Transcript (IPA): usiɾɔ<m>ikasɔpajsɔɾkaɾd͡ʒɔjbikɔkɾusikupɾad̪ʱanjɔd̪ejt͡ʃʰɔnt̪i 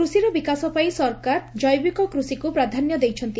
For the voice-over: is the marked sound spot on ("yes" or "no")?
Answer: no